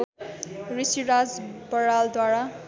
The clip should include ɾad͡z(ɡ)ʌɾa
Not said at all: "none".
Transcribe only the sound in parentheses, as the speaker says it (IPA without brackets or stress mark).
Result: b